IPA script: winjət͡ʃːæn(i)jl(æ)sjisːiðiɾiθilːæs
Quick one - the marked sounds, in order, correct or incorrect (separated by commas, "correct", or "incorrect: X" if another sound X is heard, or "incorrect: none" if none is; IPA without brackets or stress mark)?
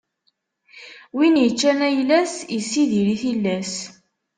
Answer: incorrect: æ, correct